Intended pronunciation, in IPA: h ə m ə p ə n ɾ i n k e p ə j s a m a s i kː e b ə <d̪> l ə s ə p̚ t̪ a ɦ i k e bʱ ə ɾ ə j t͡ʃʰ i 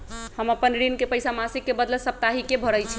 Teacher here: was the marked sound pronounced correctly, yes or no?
yes